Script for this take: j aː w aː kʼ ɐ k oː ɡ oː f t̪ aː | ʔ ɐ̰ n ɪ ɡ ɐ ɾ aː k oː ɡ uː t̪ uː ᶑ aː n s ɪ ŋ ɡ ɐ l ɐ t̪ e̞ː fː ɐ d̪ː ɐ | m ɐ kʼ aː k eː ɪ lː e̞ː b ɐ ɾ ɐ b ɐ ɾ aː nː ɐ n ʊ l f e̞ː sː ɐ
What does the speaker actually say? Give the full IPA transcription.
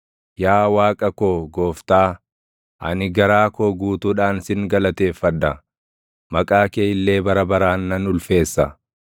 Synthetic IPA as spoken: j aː w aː kʼ ɐ k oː ɡ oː f t̪ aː | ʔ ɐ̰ n ɪ ɡ ɐ ɾ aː k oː ɡ uː t̪ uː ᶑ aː n s ɪ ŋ ɡ ɐ l ɐ t̪ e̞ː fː ɐ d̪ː ɐ | m ɐ kʼ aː k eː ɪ lː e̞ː b ɐ ɾ ɐ b ɐ ɾ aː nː ɐ n ʊ l f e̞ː sː ɐ